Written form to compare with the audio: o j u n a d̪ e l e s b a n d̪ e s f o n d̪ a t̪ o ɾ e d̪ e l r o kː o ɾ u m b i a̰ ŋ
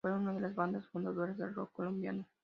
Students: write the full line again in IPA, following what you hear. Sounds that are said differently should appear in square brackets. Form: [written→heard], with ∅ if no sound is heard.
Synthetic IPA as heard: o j u n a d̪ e l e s b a n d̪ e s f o n d̪ a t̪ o ɾ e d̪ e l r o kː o [ɾ→l] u m b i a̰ [ŋ→n]